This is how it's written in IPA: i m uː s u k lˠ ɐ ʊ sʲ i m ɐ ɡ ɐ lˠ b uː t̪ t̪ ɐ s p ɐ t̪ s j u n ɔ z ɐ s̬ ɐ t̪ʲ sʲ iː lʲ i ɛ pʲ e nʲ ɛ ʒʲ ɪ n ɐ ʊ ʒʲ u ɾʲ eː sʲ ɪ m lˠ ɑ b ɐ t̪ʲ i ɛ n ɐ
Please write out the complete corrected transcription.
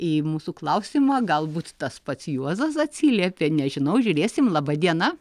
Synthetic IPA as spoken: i m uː s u k lˠ ɐ ʊ sʲ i m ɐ ɡ ɐ lˠ b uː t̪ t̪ ɐ s p ɐ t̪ s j u ɔ z ɐ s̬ ɐ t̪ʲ sʲ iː lʲ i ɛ pʲ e nʲ ɛ ʒʲ ɪ n ɐ ʊ ʒʲ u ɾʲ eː sʲ ɪ m lˠ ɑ b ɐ d̪ʲ i ɛ n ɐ

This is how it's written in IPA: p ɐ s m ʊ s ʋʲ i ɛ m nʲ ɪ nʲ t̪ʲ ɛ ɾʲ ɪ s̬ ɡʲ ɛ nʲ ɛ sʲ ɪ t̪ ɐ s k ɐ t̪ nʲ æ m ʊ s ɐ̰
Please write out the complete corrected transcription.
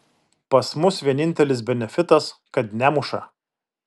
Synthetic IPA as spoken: p ɐ s m ʊ s ʋʲ i ɛ nʲ ɪ nʲ t̪ʲ ɛ lʲ ɪ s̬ bʲ ɛ nʲ ɛ fʲ ɪ t̪ ɐ s k ɐ t̪ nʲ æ m ʊ ʃ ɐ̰

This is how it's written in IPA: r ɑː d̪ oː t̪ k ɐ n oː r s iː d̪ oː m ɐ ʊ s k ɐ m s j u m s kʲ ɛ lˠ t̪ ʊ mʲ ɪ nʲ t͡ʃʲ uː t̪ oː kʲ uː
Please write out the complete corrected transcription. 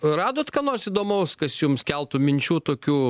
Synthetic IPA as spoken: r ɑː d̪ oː t̪ k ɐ n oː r s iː d̪ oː m ɐ ʊ s k ɐ s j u m s kʲ ɛ lˠ t̪ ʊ mʲ ɪ nʲ t͡ʃʲ uː t̪ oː kʲ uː

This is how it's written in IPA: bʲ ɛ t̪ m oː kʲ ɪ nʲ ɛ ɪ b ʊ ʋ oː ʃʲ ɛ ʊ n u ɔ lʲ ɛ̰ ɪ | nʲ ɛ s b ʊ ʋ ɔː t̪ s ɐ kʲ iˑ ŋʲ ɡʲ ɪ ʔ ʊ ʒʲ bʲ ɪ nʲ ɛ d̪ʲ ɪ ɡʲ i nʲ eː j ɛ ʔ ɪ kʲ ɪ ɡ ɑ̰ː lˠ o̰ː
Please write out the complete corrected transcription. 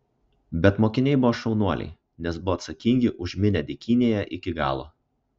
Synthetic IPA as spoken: bʲ ɛ t̪ m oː kʲ ɪ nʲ ɛ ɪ b ʊ ʋ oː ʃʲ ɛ ʊ n u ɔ lʲ ɛ̰ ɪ | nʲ ɛ s b ʊ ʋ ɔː t̪ s ɐ kʲ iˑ ŋʲ ɡʲ ɪ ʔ ʊ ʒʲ mʲ ɪ nʲ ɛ d̪ʲ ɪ kʲ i nʲ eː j ɛ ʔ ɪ kʲ ɪ ɡ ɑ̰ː lˠ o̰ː

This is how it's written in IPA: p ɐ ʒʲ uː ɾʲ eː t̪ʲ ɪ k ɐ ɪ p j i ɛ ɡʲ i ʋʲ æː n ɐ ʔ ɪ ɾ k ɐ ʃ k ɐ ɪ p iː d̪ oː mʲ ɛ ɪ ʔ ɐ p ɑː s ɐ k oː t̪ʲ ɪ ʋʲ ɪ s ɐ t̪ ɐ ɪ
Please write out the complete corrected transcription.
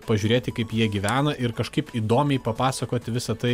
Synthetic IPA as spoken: p ɐ ʒʲ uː ɾʲ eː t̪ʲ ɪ k ɐ ɪ p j i ɛ ɡʲ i ʋʲ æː n ɐ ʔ ɪ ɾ k ɐ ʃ k ɐ ɪ p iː d̪ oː mʲ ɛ ɪ p ɐ p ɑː s ɐ k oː t̪ʲ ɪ ʋʲ ɪ s ɐ t̪ ɐ ɪ

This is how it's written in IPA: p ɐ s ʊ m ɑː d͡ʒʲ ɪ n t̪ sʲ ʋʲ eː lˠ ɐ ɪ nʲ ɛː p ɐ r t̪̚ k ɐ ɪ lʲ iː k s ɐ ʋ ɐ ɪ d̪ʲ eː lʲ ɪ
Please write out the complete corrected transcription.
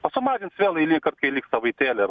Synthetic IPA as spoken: p ɐ s ʊ m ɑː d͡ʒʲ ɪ n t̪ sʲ ʋʲ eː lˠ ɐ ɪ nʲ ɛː k ɐ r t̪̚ k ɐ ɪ lʲ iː k s ɐ ʋ ɐ ɪ t̪ʲ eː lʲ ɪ

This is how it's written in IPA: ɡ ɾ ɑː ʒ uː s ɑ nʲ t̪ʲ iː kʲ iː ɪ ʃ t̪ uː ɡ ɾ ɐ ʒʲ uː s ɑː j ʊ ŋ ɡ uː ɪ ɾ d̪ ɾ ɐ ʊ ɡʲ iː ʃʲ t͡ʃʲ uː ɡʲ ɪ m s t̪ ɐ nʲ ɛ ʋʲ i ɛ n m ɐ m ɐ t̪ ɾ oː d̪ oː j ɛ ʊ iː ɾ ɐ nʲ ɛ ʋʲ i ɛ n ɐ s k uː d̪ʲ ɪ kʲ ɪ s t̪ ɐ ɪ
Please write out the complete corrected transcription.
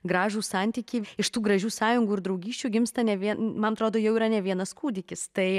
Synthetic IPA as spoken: ɡ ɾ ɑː ʒ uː s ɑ nʲ t̪ʲ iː kʲ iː ɪ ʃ t̪ uː ɡ ɾ ɐ ʒʲ uː s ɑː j ʊ ŋ ɡ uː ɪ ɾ d̪ ɾ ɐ ʊ ɡʲ iː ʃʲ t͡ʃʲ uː ɡʲ ɪ m s t̪ ɐ nʲ ɛ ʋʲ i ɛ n m ɐ n ɐ t̪ ɾ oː d̪ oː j ɛ ʊ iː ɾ ɐ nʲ ɛ ʋʲ i ɛ n ɐ s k uː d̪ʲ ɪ kʲ ɪ s t̪ ɐ ɪ

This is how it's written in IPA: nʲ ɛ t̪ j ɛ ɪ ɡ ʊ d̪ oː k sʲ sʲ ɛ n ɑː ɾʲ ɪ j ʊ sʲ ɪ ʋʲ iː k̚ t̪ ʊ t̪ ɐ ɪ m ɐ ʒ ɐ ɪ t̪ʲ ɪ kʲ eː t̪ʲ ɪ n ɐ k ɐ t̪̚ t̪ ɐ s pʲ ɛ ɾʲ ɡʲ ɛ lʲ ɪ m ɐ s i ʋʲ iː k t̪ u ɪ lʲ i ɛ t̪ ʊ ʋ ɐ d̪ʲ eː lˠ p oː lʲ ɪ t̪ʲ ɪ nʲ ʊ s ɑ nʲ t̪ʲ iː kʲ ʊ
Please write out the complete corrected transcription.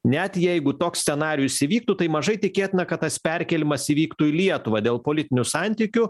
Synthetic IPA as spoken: nʲ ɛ t̪ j ɛ ɪ ɡ ʊ t̪ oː k sʲ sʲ ɛ n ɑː ɾʲ ɪ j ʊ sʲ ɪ ʋʲ iː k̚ t̪ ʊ t̪ ɐ ɪ m ɐ ʒ ɐ ɪ t̪ʲ ɪ kʲ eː t̪ʲ ɪ n ɐ k ɐ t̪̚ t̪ ɐ s pʲ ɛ ɾʲ kʲ ɛ lʲ ɪ m ɐ s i ʋʲ iː k t̪ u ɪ lʲ i ɛ t̪ ʊ ʋ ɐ d̪ʲ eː lˠ p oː lʲ ɪ t̪ʲ ɪ nʲ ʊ s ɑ nʲ t̪ʲ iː kʲ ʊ

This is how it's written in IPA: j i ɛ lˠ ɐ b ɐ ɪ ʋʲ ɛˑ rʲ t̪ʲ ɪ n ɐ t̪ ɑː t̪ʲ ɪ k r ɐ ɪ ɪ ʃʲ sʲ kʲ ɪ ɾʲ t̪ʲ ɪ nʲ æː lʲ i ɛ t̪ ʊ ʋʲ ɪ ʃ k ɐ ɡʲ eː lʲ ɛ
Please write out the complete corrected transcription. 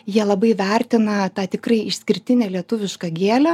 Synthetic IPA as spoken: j i ɛ lˠ ɐ b ɐ ɪ ʋʲ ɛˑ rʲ t̪ʲ ɪ n ɐ t̪ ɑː t̪ʲ ɪ k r ɐ ɪ ɪ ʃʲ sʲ kʲ ɪ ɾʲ t̪ʲ ɪ nʲ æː lʲ i ɛ t̪ ʊ ʋʲ ɪ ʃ k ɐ ɡʲ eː lʲ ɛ

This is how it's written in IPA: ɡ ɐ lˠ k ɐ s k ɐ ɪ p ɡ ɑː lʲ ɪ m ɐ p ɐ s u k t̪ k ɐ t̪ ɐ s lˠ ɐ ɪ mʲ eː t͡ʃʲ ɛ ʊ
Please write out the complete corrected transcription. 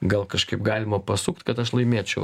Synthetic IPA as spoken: ɡ ɐ lˠ k ɐ ʃ k ɐ ɪ p ɡ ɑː lʲ ɪ m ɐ p ɐ s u k t̪ k ɐ t̪ ɐ ʃ lˠ ɐ ɪ mʲ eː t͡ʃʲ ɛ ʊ

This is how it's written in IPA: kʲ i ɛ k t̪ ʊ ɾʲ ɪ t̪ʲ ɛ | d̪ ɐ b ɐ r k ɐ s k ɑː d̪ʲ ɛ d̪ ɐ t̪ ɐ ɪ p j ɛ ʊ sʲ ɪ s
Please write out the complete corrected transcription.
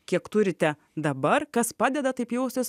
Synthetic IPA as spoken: kʲ i ɛ k t̪ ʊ ɾʲ ɪ t̪ʲ ɛ | d̪ ɐ b ɐ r k ɐ s p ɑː d̪ʲ ɛ d̪ ɐ t̪ ɐ ɪ p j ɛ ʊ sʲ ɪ s

